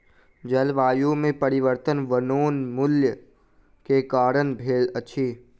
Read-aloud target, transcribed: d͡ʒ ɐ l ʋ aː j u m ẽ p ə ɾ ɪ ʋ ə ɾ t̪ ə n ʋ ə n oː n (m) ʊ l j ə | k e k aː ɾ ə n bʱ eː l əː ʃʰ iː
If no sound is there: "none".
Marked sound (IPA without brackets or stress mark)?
m